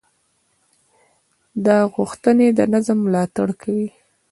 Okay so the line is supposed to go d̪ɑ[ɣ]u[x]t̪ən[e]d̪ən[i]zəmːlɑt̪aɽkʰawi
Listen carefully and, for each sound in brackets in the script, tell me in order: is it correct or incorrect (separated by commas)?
correct, correct, correct, incorrect